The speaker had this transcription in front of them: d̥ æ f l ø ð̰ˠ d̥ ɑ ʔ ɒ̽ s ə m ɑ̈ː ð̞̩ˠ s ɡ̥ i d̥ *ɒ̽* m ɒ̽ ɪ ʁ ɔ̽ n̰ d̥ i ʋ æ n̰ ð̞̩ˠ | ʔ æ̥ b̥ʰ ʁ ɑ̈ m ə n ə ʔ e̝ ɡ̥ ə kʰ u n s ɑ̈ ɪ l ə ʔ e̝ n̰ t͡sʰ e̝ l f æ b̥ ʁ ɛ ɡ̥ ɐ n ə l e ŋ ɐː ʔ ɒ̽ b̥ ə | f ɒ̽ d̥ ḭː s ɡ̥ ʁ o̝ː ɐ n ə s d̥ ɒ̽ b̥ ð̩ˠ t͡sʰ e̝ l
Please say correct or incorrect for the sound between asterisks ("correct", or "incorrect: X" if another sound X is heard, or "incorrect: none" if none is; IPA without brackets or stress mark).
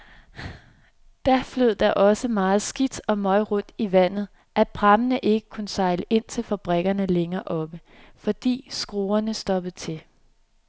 correct